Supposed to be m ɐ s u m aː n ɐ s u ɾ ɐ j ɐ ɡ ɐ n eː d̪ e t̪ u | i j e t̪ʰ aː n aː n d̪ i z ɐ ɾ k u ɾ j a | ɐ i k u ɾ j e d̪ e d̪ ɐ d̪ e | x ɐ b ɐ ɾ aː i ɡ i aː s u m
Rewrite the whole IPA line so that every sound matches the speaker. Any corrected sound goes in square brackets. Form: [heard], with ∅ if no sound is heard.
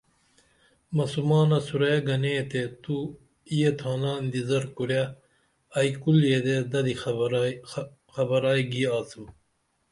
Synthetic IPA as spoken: m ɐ s u m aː n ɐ s u ɾ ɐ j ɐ ɡ ɐ n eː [t̪] e t̪ u | i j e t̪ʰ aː n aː n d̪ i z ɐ ɾ k u ɾ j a | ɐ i k u [l] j e d̪ e d̪ ɐ d̪ [i] | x ɐ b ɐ ɾ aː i ɡ i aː s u m

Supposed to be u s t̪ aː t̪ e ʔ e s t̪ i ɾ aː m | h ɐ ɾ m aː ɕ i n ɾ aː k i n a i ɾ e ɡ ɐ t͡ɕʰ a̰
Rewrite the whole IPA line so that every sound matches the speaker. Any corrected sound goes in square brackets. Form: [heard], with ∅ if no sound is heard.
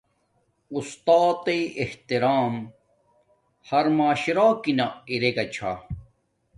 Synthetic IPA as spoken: u s t̪ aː t̪ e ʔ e [h] t̪ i ɾ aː m | h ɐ ɾ m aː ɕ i [∅] ɾ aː k i n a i ɾ e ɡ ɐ t͡ɕʰ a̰

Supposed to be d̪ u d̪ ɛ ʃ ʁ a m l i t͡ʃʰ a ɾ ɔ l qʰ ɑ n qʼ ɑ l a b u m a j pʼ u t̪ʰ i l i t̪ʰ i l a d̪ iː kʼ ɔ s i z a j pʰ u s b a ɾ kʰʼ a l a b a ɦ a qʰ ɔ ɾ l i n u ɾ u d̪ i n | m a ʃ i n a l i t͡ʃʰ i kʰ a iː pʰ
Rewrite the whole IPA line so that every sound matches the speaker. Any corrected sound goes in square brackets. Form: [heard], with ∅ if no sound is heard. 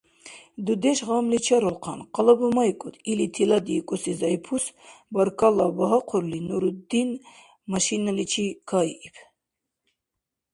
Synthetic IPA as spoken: d̪ u d̪ ɛ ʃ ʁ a m l i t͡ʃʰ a ɾ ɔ l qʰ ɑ n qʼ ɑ l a b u m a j [kʼ] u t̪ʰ i l i t̪ʰ i l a d̪ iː kʼ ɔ s i z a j pʰ u s b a ɾ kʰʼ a l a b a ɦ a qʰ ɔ ɾ l i n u ɾ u d̪ i n | m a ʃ i n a l i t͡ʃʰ i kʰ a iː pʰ

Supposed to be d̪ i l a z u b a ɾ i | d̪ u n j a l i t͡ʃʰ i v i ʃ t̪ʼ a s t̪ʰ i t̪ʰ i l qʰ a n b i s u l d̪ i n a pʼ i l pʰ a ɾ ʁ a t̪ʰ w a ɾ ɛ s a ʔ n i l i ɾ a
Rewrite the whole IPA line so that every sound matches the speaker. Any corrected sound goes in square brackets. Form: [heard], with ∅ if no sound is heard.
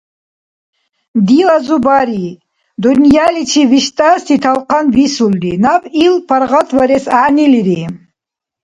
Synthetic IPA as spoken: d̪ i l a z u b a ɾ i | d̪ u n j a l i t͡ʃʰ i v i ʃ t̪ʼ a s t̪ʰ i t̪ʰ [a] l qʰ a n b i s u l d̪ i n a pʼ i l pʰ a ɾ ʁ a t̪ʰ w a ɾ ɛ s a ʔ n i l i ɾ [i]

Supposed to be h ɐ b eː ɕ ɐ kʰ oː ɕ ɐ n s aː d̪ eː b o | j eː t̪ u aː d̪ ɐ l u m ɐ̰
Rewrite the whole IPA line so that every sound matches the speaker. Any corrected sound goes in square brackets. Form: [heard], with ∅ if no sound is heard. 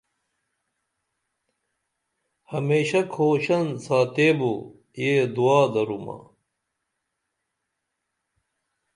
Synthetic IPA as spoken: h ɐ [m] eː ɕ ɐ kʰ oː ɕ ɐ n s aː [t̪] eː b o | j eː [d̪] u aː d̪ ɐ [ɾ] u m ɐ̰

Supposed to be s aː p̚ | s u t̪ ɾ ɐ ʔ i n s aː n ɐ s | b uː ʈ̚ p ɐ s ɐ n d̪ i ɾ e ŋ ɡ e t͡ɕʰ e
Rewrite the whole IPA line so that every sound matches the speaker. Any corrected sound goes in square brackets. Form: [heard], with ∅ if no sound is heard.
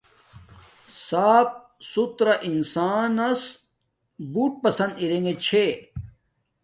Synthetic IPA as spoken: s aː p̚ | s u t̪ ɾ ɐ ʔ i n s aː n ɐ s | b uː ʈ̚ p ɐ s ɐ n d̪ i ɾ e ŋ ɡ e t͡ɕʰ e

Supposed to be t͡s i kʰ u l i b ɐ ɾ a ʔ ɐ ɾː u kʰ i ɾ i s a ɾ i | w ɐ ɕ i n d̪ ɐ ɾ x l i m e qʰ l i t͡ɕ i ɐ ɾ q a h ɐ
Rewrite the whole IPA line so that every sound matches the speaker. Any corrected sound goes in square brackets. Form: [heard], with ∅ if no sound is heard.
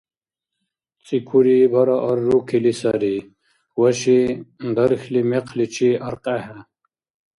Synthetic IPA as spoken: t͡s i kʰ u [ɾ] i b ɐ ɾ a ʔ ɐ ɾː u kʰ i [l] i s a ɾ i | w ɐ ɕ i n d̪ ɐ ɾ x l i m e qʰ l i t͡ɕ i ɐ ɾ q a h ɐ

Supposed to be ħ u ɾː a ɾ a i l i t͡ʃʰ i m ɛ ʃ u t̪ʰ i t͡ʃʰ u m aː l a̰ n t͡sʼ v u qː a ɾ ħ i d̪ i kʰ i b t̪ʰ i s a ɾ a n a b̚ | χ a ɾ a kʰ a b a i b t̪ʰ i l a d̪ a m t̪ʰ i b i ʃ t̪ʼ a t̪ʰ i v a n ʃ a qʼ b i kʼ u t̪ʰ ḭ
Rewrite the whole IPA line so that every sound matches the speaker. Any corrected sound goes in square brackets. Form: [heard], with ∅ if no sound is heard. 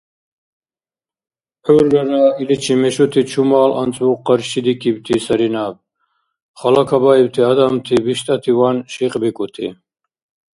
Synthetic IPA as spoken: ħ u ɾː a ɾ a i l i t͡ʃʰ i m ɛ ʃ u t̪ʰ i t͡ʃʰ u m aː l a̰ n t͡sʼ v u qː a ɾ [ʃ] i d̪ i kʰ i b t̪ʰ i s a ɾ [i] n a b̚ | χ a [l] a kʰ a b a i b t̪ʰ i [∅] a d̪ a m t̪ʰ i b i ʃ t̪ʼ a t̪ʰ i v a n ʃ [i] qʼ b i kʼ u t̪ʰ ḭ

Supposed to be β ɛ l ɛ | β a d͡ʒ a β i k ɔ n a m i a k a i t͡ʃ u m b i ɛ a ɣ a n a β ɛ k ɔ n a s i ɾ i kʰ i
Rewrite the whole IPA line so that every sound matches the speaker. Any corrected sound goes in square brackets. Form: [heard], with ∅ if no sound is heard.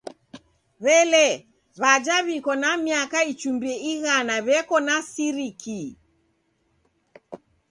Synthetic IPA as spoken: β ɛ l ɛ | β a d͡ʒ a β i k ɔ n a m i a k a i t͡ʃ u m b i ɛ [i] ɣ a n a β ɛ k ɔ n a s i ɾ i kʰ i

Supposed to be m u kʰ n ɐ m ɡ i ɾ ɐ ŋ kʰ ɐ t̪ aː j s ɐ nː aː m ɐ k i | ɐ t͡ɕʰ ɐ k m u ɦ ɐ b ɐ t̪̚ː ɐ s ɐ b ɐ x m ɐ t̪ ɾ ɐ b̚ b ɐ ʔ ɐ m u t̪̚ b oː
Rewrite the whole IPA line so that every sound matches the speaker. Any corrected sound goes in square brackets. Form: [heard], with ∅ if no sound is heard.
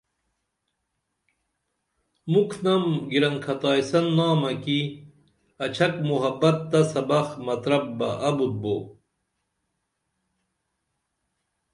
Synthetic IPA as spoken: m u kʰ n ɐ m ɡ i ɾ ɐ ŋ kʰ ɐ t̪ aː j s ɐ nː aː m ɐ k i | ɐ t͡ɕʰ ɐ k m u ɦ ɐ b ɐ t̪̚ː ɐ s ɐ b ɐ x m ɐ t̪ ɾ ɐ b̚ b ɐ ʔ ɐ [b] u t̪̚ b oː

